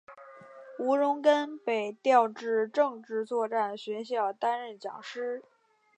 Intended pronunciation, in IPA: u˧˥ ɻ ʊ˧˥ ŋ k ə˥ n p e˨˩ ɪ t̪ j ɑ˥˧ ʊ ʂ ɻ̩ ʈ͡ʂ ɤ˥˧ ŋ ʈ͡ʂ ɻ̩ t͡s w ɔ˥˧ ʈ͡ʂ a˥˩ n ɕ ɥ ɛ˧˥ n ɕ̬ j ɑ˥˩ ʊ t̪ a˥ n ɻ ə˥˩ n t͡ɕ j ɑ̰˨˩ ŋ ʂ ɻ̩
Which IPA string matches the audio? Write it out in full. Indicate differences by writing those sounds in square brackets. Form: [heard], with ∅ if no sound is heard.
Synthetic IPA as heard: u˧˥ ɻ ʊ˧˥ ŋ k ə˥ n p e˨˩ ɪ t̪ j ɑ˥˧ ʊ [ʈ͡ʂ] ɻ̩ ʈ͡ʂ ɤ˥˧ ŋ ʈ͡ʂ ɻ̩ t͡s w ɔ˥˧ ʈ͡ʂ a˥˩ n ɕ ɥ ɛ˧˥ n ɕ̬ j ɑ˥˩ ʊ t̪ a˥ n ɻ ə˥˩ n t͡ɕ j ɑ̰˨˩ ŋ ʂ ɻ̩